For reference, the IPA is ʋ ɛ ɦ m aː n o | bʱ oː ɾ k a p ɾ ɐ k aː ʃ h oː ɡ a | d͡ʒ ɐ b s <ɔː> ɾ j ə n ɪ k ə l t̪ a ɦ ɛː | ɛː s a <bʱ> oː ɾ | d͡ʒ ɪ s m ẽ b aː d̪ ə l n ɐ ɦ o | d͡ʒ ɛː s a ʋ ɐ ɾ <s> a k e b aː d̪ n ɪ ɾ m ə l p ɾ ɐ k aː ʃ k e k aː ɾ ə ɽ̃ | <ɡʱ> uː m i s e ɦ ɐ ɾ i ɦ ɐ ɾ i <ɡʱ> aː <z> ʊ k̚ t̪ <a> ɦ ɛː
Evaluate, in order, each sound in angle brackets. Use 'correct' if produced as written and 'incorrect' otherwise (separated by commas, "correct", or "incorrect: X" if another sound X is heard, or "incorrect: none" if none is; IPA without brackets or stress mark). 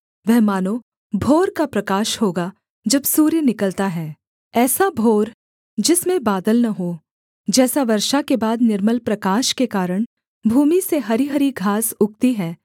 incorrect: uː, correct, incorrect: ʃ, incorrect: bʱ, correct, incorrect: s, incorrect: i